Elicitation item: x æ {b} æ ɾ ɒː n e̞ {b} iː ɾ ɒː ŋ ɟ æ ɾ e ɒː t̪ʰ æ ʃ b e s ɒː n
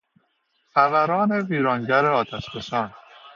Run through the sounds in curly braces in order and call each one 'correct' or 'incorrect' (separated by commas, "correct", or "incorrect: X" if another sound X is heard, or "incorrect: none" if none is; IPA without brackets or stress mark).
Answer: incorrect: v, incorrect: v